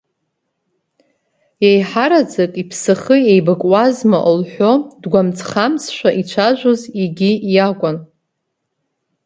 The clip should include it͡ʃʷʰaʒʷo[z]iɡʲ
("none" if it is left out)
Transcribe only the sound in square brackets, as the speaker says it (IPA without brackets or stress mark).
z